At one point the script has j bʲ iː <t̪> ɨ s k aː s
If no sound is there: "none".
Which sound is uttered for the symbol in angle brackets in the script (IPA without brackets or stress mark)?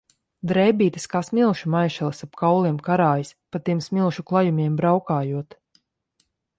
t̪